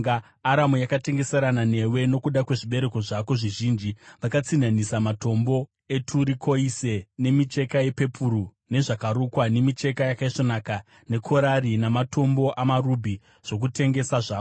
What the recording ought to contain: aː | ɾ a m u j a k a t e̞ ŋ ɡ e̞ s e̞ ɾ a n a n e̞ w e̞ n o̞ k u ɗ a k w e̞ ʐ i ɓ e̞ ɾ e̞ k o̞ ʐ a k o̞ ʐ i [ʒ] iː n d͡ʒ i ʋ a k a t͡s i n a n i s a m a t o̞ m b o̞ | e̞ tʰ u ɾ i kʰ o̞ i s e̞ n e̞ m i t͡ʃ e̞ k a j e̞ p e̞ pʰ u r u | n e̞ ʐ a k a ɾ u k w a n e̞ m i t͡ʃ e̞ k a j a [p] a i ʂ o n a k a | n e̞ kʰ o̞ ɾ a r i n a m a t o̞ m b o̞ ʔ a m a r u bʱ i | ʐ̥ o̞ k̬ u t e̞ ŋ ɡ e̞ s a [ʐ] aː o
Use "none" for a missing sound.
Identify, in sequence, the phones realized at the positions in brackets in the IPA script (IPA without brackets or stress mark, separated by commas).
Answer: ʒ, k, ʐ